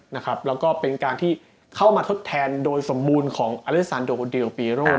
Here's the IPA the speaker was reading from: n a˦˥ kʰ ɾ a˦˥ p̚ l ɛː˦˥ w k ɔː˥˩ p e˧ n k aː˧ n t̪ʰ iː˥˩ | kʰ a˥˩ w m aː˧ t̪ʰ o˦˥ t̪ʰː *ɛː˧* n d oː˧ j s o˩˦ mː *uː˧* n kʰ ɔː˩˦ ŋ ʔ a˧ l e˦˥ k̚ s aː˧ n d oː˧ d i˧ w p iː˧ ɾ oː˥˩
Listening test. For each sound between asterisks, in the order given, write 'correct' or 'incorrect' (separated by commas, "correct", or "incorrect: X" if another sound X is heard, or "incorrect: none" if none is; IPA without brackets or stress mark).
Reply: correct, correct